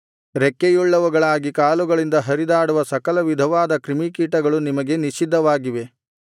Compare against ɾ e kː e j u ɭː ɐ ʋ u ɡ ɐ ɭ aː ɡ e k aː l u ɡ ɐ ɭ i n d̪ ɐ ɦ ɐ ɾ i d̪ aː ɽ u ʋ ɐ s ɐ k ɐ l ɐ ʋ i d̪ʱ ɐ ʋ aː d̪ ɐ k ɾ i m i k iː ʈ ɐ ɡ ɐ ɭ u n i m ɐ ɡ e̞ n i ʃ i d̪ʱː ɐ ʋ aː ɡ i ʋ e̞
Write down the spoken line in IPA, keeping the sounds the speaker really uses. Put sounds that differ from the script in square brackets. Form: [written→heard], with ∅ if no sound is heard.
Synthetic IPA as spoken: ɾ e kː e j u ɭː ɐ ʋ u ɡ ɐ ɭ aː ɡ [e→i] k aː l u ɡ ɐ ɭ i n d̪ ɐ ɦ ɐ ɾ i d̪ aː ɽ u ʋ ɐ s ɐ k ɐ l ɐ ʋ i d̪ʱ ɐ ʋ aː d̪ ɐ k ɾ i m i k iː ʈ ɐ ɡ ɐ ɭ u n i m ɐ ɡ e̞ n i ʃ i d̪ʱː ɐ ʋ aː ɡ i ʋ e̞